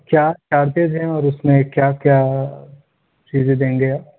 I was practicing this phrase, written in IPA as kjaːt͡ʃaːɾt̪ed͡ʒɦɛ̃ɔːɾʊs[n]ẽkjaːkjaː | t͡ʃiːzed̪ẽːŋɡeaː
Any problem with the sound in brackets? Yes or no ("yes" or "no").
yes